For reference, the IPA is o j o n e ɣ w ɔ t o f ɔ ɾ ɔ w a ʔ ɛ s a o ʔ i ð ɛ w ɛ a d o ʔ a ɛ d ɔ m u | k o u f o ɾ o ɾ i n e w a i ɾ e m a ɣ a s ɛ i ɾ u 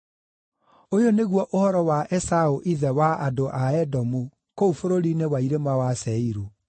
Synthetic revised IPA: o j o n e ɣ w ɔ ʔ o h ɔ ɾ ɔ w a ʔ ɛ s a o ʔ i ð ɛ w a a d o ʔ a ɛ d ɔ m u | k o u f o ɾ o ɾ i n e w a i ɾ e m a w a s ɛ i ɾ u